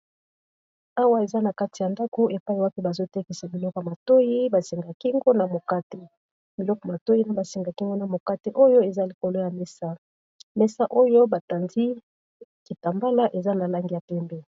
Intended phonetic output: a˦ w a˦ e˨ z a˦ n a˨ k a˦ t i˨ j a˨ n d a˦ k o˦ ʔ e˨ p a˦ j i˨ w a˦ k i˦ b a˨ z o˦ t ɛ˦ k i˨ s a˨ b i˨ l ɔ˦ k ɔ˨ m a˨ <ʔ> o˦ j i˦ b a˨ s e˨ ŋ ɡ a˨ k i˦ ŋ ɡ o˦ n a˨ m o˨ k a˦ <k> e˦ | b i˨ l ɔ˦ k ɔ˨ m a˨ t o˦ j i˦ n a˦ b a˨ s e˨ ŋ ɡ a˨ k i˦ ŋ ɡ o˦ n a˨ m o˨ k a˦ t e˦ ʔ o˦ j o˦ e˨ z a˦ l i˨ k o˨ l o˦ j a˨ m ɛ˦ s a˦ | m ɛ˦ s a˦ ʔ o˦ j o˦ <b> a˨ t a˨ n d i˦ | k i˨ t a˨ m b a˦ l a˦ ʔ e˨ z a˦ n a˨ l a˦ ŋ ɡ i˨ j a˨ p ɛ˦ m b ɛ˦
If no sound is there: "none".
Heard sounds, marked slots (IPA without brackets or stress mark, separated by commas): t, t, b